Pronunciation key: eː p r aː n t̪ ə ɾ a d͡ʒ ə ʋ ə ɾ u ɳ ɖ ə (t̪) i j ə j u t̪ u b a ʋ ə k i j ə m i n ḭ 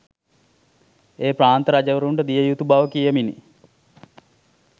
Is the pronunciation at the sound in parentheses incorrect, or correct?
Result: incorrect: d̪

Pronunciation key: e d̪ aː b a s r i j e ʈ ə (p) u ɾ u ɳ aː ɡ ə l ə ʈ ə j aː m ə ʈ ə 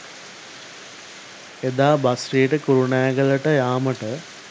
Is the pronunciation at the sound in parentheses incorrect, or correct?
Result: incorrect: k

